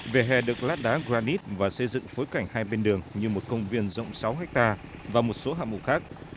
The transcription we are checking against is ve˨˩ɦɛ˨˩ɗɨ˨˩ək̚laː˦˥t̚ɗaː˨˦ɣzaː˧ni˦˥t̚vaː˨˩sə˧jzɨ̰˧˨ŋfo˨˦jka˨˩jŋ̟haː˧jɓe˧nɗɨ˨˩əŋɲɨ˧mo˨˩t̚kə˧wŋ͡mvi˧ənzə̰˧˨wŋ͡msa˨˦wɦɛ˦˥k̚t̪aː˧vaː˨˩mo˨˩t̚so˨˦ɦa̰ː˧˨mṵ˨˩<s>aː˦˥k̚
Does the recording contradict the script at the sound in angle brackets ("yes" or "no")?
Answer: yes